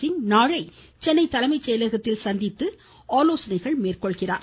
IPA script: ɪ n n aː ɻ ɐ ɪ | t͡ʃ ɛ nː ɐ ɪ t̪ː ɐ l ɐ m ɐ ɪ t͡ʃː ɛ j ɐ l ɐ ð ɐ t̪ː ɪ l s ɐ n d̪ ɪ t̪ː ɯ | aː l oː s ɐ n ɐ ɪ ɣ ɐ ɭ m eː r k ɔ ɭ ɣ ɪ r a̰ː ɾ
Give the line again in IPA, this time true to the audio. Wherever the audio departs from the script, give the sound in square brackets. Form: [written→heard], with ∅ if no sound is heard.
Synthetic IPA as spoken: ɪ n n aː ɻ ɐ ɪ | t͡ʃ ɛ nː ɐ ɪ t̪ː ɐ l ɐ m ɐ ɪ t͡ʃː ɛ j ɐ l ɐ [ð→ɣ] ɐ t̪ː ɪ l s ɐ n d̪ ɪ t̪ː ɯ | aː l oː s ɐ n ɐ ɪ ɣ ɐ ɭ m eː r k ɔ ɭ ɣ ɪ r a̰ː ɾ